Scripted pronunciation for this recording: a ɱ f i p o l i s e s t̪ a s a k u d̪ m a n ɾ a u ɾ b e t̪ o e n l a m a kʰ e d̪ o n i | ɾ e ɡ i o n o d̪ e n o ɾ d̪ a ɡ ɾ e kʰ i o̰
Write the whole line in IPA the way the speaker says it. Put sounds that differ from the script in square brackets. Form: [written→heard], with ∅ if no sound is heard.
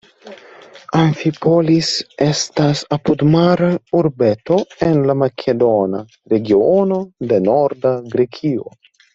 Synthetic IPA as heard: a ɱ f i p o l i s e s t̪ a s a [k→p] u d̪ m a [n→∅] ɾ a u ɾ b e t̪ o e n l a m a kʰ e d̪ o n [i→a] | ɾ e ɡ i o n o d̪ e n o ɾ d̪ a ɡ ɾ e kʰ i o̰